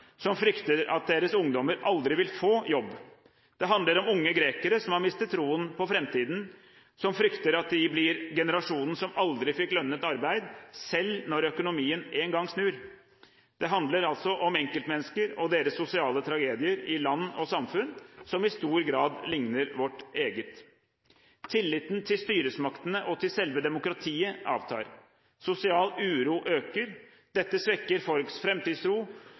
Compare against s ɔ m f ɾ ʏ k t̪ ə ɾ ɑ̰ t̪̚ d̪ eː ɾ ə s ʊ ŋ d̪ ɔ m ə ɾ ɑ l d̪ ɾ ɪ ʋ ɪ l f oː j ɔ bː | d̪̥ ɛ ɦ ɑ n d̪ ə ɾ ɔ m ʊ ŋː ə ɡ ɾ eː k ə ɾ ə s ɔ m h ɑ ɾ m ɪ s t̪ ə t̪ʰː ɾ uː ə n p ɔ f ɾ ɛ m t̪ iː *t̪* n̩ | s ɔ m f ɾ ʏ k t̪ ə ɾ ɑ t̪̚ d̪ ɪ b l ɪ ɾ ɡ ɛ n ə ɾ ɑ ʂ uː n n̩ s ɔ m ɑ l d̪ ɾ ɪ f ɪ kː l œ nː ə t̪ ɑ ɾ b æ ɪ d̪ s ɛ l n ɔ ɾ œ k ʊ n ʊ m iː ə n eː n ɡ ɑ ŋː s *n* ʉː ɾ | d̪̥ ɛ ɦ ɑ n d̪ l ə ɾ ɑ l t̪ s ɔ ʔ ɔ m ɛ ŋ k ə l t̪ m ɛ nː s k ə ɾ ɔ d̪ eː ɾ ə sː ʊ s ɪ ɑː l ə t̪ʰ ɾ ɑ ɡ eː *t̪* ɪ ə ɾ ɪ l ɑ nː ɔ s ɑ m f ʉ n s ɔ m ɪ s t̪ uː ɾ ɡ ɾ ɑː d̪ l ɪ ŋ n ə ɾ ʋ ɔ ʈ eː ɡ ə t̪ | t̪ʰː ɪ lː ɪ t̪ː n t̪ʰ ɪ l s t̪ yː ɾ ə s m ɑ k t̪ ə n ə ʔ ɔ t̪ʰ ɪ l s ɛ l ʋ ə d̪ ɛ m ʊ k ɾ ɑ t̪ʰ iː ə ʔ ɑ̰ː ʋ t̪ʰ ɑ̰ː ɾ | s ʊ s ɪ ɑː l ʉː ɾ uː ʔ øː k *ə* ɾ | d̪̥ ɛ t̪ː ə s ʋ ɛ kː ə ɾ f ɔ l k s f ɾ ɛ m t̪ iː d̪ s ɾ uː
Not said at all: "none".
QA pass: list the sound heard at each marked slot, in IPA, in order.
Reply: d̪, n, d̪, ə

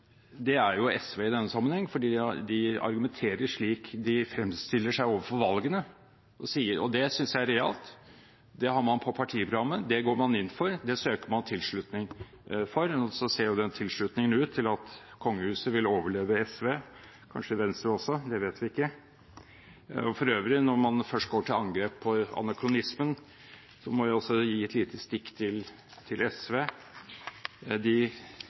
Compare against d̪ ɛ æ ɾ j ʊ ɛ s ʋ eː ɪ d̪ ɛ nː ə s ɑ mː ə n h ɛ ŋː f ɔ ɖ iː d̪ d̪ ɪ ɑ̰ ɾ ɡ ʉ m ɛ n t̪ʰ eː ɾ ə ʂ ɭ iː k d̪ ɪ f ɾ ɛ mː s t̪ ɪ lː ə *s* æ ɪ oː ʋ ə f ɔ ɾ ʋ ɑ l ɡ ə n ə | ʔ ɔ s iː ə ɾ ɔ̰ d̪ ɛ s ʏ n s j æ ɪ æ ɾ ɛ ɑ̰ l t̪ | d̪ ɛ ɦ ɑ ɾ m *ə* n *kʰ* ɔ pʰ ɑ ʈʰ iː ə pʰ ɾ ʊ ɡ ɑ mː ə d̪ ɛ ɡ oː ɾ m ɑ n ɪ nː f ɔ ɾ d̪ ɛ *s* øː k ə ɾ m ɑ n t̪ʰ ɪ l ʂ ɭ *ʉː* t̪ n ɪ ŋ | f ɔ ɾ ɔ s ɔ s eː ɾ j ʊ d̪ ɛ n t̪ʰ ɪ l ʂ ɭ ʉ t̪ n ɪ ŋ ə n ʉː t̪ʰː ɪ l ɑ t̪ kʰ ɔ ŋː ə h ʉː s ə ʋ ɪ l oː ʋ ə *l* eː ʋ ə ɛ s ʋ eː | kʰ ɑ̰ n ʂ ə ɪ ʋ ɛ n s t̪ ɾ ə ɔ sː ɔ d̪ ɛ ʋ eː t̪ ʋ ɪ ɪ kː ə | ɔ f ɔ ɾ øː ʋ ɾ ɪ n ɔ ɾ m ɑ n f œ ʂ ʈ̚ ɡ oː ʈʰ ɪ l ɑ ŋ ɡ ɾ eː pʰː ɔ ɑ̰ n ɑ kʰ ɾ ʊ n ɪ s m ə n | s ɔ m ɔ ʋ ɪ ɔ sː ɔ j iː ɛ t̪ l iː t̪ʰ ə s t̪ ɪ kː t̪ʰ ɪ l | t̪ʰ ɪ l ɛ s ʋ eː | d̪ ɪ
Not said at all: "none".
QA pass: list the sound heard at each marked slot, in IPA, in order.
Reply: ʂ, ɑ, pʰ, s, ʉ, ɭ

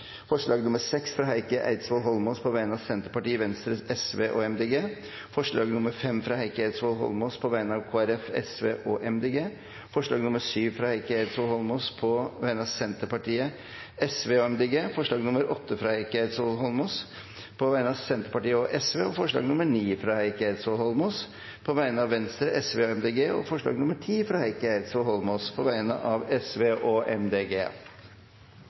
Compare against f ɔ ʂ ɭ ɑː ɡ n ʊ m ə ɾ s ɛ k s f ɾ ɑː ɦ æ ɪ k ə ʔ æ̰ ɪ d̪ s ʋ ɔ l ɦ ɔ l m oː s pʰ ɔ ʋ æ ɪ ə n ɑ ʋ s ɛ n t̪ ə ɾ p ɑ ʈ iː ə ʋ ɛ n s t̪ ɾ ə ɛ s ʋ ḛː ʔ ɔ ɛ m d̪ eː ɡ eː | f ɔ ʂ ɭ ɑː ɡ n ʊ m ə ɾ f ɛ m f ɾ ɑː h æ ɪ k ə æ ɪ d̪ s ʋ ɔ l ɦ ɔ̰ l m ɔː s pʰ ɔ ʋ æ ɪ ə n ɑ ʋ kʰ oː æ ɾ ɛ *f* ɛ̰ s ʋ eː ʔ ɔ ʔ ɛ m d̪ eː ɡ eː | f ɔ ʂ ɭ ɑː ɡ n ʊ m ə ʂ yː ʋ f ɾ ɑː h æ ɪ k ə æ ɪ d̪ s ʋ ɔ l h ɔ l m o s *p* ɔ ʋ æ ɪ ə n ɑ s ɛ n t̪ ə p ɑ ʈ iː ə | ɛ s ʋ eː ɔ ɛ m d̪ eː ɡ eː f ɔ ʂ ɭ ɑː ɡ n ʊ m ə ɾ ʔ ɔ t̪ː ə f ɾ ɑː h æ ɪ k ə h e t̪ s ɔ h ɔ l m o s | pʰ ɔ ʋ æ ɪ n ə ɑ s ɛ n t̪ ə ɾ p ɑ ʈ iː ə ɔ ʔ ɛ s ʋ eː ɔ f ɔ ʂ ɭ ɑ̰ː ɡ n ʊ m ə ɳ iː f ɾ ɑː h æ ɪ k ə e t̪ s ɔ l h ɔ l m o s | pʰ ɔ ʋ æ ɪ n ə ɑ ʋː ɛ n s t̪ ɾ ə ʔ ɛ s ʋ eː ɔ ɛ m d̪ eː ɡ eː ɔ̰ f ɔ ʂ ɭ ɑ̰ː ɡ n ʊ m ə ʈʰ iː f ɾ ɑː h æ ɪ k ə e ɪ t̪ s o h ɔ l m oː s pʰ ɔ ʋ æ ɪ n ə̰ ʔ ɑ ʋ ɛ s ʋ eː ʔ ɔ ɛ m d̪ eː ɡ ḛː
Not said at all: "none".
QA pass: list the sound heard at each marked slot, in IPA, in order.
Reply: f, pʰ

